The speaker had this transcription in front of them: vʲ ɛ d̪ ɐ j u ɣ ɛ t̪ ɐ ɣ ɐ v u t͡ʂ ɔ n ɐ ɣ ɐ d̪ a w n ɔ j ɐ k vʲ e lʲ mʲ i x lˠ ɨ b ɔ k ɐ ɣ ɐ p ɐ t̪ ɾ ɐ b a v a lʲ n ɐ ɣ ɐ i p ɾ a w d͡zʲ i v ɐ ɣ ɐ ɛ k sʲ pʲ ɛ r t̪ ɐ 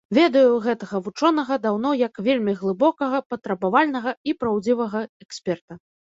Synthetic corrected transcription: vʲ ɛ d̪ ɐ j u ɣ ɛ t̪ ɐ ɣ ɐ v u t͡ʂ ɔ n ɐ ɣ ɐ d̪ a w n ɔ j ɐ k vʲ e lʲ mʲ i ɣ lˠ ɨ b ɔ k ɐ ɣ ɐ p ɐ t̪ ɾ ɐ b a v a lʲ n ɐ ɣ ɐ i p ɾ a w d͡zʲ i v ɐ ɣ ɐ ɛ k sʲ pʲ ɛ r t̪ ɐ